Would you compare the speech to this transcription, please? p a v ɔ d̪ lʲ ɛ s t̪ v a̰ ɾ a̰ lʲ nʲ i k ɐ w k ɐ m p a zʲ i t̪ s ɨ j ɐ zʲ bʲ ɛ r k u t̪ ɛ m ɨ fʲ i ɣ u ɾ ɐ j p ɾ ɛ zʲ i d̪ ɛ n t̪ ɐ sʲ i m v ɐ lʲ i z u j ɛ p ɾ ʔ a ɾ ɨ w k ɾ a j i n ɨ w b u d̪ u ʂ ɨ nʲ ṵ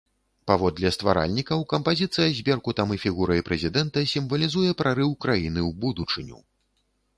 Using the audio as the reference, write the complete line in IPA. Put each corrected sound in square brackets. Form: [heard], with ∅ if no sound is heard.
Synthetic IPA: p a v ɔ d̪ lʲ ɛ s t̪ v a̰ ɾ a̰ lʲ nʲ i k ɐ w k ɐ m p a zʲ i t̪ s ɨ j ɐ zʲ bʲ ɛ r k u t̪ [a] m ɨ fʲ i ɣ u ɾ ɐ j p ɾ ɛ zʲ i d̪ ɛ n t̪ ɐ sʲ i m v ɐ lʲ i z u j ɛ p ɾ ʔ a ɾ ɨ w k ɾ a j i n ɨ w b u d̪ u [t͡ʂ] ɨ nʲ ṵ